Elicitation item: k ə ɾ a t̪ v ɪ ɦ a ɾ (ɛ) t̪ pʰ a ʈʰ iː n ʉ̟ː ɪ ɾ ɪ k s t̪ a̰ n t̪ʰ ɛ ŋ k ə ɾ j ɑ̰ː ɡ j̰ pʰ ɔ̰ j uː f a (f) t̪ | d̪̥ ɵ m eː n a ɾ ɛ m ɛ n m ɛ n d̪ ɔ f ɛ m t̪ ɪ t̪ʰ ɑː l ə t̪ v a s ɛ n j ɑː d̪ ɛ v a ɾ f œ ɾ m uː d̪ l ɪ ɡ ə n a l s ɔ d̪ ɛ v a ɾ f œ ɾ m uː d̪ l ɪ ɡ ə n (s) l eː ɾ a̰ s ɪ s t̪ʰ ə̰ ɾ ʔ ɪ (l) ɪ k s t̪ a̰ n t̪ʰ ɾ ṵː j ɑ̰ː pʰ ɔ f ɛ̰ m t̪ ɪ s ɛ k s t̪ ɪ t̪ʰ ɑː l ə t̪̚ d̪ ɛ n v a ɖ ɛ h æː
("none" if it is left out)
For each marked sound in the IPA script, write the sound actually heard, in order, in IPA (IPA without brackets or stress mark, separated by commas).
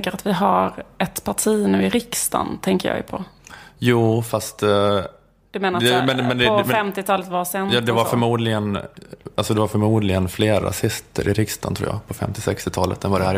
ɛ, s, f, ɾ